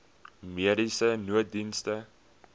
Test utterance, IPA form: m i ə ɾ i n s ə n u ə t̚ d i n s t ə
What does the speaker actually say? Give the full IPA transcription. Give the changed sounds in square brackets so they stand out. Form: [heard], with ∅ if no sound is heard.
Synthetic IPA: m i ə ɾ i [∅] s ə n u ə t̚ d i n s t ə